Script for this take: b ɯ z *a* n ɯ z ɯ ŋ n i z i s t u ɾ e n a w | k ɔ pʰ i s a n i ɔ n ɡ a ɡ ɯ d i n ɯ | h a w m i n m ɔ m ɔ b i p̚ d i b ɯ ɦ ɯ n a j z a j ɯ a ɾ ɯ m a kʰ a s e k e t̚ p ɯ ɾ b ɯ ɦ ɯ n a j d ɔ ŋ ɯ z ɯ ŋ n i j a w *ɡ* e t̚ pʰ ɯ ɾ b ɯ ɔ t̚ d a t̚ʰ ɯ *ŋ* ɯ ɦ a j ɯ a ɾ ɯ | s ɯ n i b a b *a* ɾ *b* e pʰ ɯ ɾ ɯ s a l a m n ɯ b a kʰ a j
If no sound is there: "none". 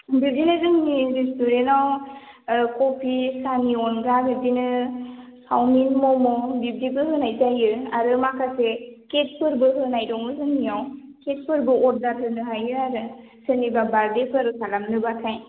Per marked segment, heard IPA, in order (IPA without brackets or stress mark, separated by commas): i, k, n, a, d